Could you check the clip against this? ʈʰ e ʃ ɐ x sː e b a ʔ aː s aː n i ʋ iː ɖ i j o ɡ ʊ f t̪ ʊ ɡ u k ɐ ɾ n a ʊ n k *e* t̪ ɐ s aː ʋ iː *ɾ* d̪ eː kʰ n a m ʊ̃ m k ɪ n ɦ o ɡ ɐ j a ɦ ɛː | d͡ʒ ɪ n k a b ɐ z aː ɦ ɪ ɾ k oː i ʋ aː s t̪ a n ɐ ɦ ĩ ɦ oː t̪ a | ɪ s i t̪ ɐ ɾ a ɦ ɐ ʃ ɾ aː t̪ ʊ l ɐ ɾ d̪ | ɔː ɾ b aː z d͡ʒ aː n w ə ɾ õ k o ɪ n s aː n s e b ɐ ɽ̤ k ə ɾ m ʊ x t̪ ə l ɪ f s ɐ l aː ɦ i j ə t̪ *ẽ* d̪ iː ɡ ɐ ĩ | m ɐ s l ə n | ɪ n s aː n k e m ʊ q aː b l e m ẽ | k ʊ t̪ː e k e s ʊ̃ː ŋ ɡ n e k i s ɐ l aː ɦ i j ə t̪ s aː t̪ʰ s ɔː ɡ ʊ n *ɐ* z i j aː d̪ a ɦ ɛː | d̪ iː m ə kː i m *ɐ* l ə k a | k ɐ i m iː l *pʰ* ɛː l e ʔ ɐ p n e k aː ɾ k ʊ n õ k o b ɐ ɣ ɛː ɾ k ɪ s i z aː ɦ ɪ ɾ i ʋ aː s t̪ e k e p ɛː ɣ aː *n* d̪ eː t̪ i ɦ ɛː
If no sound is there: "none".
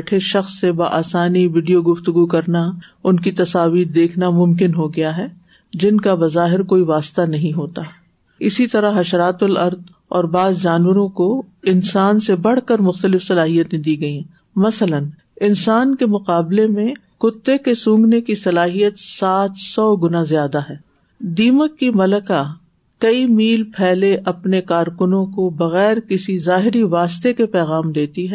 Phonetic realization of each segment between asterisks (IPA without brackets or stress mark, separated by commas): i, ɾ, ẽ, a, ɐ, pʰ, m